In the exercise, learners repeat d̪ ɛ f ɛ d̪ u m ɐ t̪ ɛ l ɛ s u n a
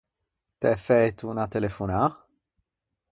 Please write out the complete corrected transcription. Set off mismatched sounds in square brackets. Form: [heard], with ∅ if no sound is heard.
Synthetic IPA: [t̪] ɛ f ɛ [t̪] u [n] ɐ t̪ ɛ l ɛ [f] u n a